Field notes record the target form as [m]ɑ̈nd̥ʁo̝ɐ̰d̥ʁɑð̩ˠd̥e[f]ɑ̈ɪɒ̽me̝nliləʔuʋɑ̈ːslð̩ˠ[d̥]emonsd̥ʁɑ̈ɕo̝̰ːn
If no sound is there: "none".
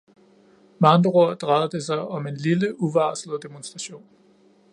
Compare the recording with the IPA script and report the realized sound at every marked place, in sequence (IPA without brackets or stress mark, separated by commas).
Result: m, s, d̥